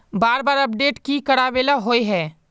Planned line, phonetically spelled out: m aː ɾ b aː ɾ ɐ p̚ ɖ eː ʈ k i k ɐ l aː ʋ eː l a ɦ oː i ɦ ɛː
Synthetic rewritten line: b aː ɾ b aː ɾ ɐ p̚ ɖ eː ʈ k i k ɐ ɽ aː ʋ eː l a ɦ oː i ɦ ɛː

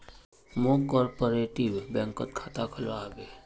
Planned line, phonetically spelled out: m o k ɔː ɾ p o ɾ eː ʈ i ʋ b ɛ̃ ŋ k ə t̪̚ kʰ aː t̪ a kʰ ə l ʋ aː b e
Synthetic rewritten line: m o k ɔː ɾ p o ɾ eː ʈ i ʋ b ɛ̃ ŋ k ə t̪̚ kʰ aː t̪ a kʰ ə l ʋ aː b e

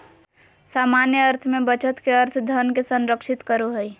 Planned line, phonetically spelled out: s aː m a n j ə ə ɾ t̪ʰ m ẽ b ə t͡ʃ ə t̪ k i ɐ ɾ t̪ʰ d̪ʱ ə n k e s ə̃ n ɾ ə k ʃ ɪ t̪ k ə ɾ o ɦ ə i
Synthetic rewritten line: s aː m a n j ə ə ɾ t̪ʰ m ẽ b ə t͡ʃ ə t̪ k e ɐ ɾ t̪ʰ d̪ʱ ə n k e s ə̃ n ɾ ə k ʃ ɪ t̪ k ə ɾ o ɦ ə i

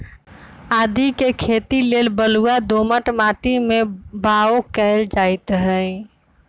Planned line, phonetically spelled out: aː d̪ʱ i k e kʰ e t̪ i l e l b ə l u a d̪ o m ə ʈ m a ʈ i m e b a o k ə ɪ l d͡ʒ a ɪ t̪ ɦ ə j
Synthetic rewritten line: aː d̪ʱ i k e kʰ e t̪ i l e l b ə l u a d̪ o m ə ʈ m a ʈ i m e b a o k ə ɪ l d͡ʒ a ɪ t̪ ɦ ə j

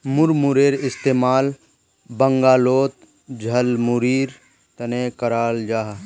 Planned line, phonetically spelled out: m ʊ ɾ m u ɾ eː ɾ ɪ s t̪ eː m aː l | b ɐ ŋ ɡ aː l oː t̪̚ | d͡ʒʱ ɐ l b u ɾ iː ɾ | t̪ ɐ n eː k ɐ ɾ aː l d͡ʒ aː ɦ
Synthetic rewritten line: m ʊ ɾ m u ɾ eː ɾ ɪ s t̪ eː m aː l | b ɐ ŋ ɡ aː l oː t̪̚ | d͡ʒʱ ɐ l m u ɾ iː ɾ | t̪ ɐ n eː k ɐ ɾ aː l d͡ʒ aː ɦ

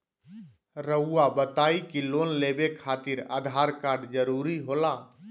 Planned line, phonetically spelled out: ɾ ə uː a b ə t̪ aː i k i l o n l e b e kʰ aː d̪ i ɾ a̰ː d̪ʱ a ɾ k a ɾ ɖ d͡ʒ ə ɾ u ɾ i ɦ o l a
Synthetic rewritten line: ɾ ə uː a b ə t̪ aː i k i l o n l e b e kʰ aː t̪ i ɾ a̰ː d̪ʱ a ɾ k a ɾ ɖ d͡ʒ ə ɾ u ɾ i ɦ o l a

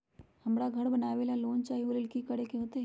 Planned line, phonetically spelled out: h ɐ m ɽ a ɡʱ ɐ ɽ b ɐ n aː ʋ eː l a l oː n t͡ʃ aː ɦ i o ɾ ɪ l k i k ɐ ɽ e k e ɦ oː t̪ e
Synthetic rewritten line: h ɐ m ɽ a ɡʱ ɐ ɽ b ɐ n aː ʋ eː l a l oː n t͡ʃ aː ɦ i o l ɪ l k i k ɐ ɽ e k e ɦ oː t̪ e

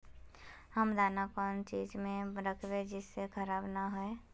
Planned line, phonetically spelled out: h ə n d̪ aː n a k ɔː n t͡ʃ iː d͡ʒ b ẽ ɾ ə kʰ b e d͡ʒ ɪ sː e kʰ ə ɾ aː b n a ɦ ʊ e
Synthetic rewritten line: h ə m d̪ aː n a k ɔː n t͡ʃ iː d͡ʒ m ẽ ɾ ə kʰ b e d͡ʒ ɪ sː e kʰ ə ɾ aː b n a ɦ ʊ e

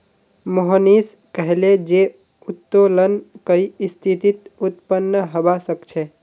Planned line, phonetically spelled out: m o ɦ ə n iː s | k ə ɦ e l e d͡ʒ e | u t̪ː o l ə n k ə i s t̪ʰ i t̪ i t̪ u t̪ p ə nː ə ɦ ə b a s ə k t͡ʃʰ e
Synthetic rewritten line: m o ɦ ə n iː s | k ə ɦ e l e d͡ʒ e | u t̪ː o l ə n k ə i s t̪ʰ i t̪ i t̪ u t̪ p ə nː ə ɦ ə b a s ə k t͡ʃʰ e

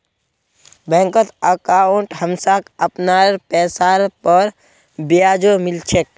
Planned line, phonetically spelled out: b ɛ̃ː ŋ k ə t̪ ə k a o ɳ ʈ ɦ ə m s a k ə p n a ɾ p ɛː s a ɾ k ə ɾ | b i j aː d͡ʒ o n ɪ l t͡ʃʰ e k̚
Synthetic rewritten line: b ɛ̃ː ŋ k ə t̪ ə k a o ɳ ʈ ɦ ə m s a k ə p n a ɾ p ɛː s a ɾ p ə ɾ | b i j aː d͡ʒ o m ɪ l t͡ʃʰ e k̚

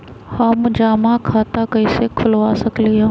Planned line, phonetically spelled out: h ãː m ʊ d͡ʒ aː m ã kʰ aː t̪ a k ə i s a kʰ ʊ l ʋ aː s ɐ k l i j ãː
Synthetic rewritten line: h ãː m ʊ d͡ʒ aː m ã kʰ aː t̪ a k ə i s e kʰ ʊ l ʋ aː s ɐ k l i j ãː

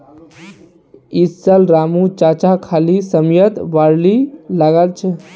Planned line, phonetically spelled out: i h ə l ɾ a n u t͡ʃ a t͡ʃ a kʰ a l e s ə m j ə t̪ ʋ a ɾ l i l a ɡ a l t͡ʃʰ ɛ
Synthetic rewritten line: i s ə l ɾ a m u t͡ʃ a t͡ʃ a kʰ a l i s ə m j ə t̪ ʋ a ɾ l i l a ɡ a l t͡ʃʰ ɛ

